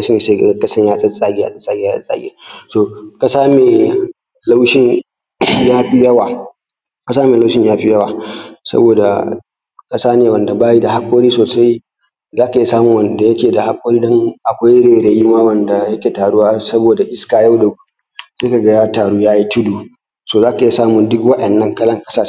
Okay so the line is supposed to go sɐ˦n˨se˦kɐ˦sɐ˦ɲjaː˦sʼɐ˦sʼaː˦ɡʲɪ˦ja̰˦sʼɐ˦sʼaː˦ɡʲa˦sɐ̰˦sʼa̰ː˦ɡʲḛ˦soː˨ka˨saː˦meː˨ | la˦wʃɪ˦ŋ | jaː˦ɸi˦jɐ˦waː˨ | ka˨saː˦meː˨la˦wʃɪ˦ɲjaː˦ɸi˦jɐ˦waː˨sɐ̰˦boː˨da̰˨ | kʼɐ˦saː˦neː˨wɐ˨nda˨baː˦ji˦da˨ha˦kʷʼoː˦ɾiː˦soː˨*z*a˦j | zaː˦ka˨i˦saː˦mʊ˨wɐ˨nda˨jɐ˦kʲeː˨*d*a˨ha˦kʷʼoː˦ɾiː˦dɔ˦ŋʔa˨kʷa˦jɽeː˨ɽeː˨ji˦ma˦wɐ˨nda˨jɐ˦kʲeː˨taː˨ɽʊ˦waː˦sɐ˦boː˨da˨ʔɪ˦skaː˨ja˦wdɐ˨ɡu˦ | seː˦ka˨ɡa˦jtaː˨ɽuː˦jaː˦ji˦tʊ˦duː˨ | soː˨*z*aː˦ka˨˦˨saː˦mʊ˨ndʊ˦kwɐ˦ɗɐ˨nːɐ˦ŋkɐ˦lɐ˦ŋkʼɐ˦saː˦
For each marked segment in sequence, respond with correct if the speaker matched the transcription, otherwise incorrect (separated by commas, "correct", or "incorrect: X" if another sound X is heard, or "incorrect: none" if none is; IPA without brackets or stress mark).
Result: incorrect: s, correct, correct